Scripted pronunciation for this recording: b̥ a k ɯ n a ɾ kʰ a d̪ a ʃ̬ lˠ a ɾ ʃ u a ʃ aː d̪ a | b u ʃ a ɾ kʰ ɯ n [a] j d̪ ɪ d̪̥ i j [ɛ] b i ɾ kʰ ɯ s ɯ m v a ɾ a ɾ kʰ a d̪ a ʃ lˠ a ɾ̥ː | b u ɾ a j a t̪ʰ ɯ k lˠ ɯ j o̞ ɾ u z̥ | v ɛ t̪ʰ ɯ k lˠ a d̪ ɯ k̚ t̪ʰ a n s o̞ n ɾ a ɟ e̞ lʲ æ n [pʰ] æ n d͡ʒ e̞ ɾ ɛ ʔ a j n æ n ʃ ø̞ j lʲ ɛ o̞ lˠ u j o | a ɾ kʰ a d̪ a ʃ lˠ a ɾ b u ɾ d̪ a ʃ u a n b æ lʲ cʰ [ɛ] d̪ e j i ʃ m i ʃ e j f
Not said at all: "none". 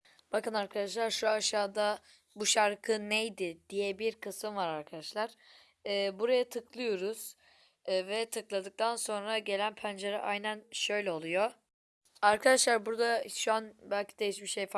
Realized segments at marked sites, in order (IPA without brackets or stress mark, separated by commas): e, ɛ, pʰ, i